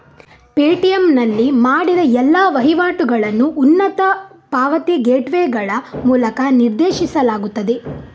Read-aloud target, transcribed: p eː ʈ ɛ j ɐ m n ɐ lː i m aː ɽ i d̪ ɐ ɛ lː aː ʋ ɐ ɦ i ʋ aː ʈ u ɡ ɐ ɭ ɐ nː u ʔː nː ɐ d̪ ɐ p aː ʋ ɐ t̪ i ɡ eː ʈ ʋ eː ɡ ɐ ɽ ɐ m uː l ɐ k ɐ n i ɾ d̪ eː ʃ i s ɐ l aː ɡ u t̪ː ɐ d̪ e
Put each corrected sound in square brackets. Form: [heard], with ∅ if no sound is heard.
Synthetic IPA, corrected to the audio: p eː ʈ [i] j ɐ m n ɐ lː i m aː ɽ i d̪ ɐ ɛ lː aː ʋ ɐ ɦ i ʋ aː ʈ u ɡ ɐ ɭ ɐ nː u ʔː nː ɐ [t̪] ɐ p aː ʋ ɐ t̪ i ɡ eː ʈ ʋ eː ɡ ɐ [ɭ] ɐ m uː l ɐ k ɐ n i ɾ d̪ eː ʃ i s ɐ l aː ɡ u t̪ː ɐ d̪ e